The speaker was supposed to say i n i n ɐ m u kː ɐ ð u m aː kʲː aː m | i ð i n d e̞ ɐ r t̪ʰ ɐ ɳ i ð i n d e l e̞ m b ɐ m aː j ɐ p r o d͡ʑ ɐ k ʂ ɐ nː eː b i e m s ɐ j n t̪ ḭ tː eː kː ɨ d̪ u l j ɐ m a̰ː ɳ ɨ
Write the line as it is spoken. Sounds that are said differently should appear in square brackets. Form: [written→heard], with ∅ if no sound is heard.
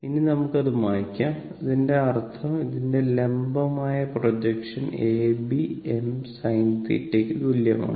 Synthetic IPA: i n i n ɐ m u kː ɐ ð u m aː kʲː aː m | i ð i n d e̞ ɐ r t̪ʰ ɐ [ɳ→m] i ð i n d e l e̞ m b ɐ m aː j ɐ p r o d͡ʑ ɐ k ʂ ɐ [nː→n] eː b i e m s ɐ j n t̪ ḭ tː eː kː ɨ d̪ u l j ɐ m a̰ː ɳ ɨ